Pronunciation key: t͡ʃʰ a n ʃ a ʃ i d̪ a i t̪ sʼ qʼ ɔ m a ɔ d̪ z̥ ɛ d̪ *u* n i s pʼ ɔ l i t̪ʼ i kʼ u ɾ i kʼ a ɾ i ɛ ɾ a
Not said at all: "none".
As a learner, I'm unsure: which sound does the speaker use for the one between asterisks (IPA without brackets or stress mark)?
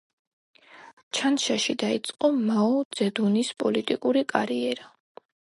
u